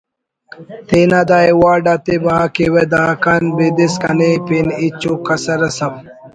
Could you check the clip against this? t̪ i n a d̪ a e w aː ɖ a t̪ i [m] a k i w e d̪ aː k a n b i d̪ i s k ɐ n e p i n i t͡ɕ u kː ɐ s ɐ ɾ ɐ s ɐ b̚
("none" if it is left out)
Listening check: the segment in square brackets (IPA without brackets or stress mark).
b